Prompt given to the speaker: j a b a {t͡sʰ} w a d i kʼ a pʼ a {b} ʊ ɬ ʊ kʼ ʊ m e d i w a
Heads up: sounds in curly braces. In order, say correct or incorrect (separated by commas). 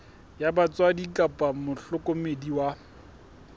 incorrect, incorrect